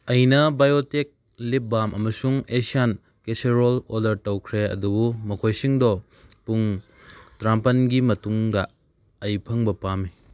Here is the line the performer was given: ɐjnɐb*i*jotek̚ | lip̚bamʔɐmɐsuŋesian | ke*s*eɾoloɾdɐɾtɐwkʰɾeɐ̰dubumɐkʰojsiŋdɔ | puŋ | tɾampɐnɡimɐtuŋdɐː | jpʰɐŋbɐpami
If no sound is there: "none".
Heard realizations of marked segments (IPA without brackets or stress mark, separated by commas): a, s